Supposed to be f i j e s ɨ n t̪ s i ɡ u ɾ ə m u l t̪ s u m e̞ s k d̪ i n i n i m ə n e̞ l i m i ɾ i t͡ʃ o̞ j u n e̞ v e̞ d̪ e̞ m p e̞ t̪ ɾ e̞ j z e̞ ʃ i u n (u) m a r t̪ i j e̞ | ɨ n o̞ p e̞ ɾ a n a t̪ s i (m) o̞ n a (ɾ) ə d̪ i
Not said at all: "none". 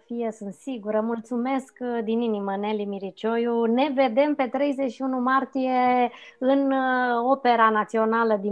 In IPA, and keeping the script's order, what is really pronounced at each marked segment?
u, none, l

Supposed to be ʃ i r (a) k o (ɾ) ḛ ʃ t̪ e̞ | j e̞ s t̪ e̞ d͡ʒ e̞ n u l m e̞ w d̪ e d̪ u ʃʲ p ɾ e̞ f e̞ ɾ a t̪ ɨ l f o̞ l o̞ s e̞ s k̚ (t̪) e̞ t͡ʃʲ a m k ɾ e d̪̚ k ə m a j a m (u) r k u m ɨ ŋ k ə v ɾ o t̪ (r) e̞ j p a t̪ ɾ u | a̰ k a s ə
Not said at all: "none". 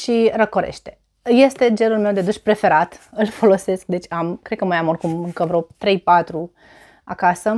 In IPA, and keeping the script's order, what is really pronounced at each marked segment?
ə, ɾ, d̪, o, ɾ

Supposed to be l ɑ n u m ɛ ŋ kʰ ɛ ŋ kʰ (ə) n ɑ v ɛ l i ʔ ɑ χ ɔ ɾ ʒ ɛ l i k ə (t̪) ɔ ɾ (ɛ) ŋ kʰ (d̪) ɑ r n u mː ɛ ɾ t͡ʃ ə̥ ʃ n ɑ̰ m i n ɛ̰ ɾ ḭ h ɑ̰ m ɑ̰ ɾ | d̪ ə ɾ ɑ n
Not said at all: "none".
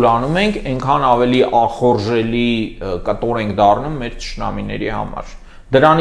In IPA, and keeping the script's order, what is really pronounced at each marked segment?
ɑ, t̪, ɛ, d̪

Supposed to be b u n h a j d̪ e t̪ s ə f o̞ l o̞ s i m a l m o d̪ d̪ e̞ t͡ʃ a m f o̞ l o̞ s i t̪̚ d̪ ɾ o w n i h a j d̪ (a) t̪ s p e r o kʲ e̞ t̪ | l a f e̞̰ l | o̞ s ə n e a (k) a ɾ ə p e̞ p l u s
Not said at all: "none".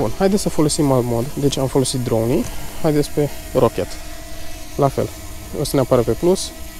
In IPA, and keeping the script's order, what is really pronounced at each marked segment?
e, p

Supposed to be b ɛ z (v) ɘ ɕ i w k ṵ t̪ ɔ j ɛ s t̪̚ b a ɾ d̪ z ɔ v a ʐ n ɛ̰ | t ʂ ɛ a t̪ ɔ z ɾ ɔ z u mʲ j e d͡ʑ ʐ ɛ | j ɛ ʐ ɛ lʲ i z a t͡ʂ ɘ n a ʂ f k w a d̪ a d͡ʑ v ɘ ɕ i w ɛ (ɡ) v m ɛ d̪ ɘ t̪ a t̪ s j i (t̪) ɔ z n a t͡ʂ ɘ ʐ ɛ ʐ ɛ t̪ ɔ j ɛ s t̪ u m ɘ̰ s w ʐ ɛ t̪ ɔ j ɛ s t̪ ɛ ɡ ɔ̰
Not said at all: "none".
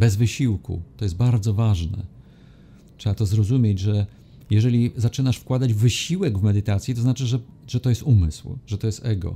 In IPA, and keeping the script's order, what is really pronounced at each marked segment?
v, ɡ, t̪

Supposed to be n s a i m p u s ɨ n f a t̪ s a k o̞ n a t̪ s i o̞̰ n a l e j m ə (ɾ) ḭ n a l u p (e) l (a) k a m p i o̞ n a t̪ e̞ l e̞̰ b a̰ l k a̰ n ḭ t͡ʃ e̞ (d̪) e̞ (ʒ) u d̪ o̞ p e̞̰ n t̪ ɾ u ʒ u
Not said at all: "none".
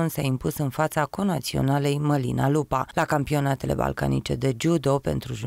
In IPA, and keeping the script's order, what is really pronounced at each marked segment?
l, a, a, d̪, d͡ʒ

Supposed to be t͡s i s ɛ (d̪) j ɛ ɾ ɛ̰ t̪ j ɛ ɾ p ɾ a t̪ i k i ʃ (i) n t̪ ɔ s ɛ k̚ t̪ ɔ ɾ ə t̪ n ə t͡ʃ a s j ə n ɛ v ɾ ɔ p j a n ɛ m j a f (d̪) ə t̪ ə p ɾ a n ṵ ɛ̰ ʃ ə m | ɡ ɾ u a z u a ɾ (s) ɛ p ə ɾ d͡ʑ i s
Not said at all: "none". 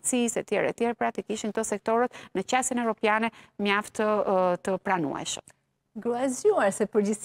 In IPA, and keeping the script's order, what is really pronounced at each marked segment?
t̪, i, t̪, s

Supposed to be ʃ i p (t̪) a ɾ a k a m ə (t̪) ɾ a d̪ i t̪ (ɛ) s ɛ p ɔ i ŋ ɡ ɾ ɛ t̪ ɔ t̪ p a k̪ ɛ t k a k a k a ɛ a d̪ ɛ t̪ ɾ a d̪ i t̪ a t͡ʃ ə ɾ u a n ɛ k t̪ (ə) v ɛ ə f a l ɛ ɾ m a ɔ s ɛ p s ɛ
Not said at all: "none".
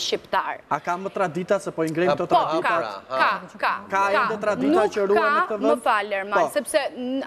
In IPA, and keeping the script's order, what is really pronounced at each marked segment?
t̪, t̪, a, ə

